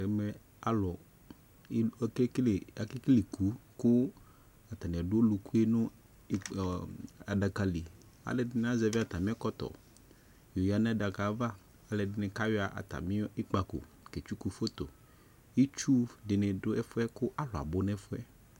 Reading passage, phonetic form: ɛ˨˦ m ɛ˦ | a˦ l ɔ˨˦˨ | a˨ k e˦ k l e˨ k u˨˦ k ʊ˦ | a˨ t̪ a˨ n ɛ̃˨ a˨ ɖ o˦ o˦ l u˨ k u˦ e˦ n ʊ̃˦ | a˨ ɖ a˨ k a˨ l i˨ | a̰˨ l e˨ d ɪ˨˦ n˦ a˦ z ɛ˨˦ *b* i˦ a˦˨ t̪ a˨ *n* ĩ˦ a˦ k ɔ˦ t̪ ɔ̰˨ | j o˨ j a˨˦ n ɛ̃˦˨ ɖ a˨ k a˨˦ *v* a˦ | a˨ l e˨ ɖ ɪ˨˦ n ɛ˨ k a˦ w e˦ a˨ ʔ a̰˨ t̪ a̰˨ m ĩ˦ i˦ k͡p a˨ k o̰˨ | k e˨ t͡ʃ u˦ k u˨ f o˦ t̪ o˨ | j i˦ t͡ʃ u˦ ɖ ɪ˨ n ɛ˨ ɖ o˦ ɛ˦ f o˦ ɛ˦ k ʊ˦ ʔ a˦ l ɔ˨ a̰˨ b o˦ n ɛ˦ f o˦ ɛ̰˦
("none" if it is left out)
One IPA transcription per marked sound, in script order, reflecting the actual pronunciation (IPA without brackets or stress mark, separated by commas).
v, m, v